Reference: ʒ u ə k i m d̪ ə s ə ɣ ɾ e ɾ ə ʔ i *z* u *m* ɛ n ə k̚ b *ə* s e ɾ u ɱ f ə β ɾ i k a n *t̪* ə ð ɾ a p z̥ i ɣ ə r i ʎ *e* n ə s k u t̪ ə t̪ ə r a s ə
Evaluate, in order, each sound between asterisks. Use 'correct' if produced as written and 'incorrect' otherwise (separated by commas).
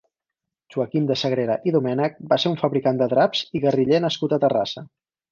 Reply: incorrect, correct, incorrect, incorrect, correct